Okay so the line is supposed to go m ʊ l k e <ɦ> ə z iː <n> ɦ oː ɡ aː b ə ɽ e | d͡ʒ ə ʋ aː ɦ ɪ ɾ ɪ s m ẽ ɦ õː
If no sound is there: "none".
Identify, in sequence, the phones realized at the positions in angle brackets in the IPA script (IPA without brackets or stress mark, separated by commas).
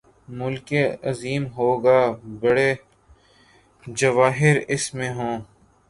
none, m